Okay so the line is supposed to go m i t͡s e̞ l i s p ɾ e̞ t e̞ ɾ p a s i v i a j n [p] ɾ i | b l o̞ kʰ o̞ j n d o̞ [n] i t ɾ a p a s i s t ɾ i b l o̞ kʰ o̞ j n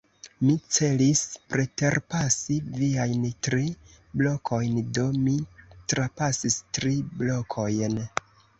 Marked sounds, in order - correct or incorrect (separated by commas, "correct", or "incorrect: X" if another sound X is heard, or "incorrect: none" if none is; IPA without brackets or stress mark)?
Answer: incorrect: t, incorrect: m